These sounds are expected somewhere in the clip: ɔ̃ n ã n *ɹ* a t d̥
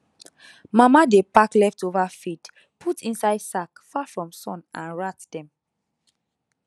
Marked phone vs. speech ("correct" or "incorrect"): correct